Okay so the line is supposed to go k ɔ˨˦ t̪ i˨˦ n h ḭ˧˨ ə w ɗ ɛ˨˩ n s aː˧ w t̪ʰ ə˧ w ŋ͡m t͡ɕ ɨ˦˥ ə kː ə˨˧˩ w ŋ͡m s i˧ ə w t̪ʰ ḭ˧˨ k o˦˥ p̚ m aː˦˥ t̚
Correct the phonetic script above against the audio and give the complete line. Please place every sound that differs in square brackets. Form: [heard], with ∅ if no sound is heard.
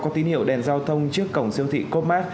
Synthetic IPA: k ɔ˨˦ t̪ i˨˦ n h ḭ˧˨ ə w ɗ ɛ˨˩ n [z] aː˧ w t̪ʰ ə˧ w ŋ͡m t͡ɕ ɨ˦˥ ə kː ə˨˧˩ w ŋ͡m s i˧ ə w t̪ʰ ḭ˧˨ k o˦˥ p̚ m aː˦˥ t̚